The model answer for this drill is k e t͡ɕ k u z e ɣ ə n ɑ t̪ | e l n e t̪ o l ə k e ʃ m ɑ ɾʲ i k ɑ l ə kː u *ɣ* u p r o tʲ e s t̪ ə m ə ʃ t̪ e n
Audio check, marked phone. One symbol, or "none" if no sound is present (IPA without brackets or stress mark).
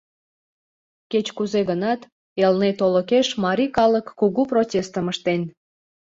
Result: ɣ